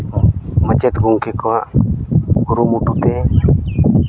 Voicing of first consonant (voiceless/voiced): voiced